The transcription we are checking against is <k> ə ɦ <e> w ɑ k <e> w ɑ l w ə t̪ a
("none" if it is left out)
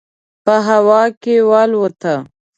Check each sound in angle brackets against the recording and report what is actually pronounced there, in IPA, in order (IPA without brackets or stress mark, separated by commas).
p, a, e